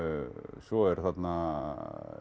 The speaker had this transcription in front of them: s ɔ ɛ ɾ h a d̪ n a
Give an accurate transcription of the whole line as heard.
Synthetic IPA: s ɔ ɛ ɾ θ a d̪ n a